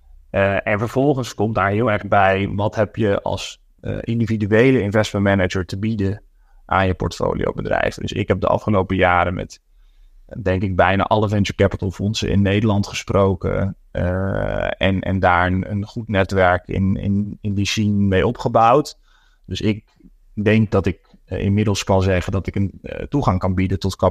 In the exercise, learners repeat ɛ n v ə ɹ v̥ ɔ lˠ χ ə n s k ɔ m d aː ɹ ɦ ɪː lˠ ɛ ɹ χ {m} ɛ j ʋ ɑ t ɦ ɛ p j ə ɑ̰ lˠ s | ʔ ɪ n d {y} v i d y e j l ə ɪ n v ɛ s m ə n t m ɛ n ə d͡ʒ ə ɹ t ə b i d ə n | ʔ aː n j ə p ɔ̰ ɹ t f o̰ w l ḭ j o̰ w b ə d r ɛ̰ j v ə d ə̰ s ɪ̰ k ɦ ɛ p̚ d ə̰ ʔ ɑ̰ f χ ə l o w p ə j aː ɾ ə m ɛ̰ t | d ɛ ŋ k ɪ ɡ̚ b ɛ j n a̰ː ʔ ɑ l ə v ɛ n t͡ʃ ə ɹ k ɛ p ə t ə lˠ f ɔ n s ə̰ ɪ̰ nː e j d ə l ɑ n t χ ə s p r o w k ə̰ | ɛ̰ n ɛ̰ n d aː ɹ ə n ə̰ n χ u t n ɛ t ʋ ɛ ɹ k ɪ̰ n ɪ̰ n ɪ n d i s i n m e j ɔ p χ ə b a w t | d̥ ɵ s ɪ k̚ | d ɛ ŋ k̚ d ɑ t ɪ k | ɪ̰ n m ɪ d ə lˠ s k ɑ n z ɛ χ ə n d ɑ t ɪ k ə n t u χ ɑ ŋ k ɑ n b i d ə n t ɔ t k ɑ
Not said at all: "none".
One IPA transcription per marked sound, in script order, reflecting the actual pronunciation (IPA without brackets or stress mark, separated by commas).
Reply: b, i